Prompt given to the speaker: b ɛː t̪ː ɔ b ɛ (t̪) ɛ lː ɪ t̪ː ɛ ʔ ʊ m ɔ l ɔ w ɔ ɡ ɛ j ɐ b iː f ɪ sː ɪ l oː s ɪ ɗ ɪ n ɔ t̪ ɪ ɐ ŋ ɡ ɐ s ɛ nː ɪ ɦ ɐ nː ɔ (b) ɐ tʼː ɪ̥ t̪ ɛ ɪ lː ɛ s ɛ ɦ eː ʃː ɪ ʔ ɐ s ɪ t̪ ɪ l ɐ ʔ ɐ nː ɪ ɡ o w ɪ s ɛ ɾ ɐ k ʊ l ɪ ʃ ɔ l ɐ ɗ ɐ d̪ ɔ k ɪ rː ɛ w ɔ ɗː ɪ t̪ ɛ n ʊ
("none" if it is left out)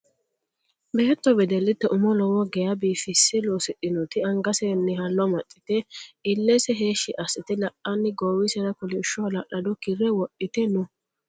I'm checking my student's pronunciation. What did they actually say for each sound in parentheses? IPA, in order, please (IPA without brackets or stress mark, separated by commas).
d̪, m